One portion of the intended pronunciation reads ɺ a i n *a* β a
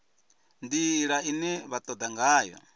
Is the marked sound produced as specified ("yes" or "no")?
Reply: no